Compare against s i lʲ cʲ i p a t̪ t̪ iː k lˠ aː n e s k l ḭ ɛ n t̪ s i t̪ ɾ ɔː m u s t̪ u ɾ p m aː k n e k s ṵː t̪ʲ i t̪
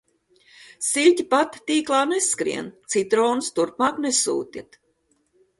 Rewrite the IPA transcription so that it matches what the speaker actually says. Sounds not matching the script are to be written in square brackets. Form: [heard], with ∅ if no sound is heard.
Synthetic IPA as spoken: s i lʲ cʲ i p a t̪ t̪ iː k lˠ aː n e s k [ɾ] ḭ ɛ n t̪ s i t̪ ɾ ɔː [n] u s t̪ u ɾ p m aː k n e [∅] s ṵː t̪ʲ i t̪